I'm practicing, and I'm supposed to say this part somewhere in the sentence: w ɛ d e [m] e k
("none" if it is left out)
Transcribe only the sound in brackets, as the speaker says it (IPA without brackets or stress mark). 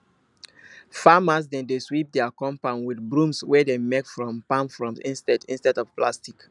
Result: m